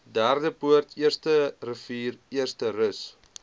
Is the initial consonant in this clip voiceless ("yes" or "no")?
no